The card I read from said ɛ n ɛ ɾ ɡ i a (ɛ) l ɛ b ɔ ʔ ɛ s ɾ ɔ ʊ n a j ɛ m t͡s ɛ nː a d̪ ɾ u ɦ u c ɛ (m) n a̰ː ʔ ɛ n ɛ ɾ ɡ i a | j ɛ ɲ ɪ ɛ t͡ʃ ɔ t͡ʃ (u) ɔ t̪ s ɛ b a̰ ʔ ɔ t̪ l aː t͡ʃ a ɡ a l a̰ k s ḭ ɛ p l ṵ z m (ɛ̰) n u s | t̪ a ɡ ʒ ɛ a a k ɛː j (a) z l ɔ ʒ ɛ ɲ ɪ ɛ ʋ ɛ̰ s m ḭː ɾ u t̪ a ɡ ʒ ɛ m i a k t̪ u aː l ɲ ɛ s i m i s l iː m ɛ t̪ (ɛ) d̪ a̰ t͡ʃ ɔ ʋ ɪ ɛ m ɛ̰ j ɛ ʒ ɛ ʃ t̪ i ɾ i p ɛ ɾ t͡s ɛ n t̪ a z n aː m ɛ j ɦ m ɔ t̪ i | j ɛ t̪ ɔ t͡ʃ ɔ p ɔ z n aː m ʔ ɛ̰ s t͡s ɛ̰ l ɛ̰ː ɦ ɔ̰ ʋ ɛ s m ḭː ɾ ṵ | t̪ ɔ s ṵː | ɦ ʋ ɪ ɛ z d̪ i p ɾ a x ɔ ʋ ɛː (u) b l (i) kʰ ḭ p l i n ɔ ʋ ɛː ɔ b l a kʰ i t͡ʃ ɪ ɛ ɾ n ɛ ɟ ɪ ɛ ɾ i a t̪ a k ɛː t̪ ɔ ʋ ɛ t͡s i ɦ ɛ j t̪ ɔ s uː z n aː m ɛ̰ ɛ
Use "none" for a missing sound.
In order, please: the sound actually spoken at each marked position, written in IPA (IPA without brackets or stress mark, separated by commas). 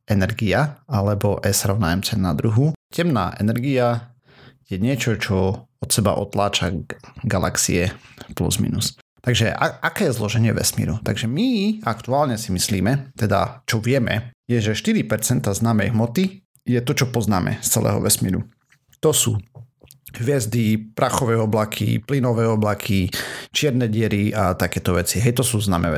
a, m, ɔ, ḭ, ɛ, ɛ, ɔ, a